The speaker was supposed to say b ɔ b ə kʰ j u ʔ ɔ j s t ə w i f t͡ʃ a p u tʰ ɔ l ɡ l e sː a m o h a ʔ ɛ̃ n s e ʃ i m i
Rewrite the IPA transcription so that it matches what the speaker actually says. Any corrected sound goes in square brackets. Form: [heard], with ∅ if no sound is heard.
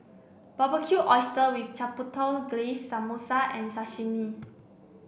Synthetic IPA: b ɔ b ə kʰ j u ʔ ɔ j s t ə w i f t͡ʃ a p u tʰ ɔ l ɡ l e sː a m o [s] a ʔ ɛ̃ n s [a] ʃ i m i